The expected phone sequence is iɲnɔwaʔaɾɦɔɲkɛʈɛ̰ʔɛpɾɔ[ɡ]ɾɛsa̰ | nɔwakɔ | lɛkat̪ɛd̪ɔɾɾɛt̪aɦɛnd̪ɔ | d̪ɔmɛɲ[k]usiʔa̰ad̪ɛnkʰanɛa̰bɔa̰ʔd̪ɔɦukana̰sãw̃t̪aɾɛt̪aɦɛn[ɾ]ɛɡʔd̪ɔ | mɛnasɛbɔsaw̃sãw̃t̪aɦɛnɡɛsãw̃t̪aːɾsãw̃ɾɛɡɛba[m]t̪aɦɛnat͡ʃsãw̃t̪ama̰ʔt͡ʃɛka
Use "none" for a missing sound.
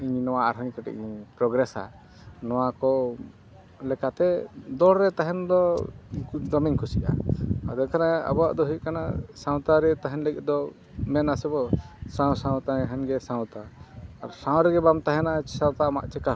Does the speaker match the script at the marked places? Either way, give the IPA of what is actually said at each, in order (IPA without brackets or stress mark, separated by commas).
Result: ɡ, kʰ, l, m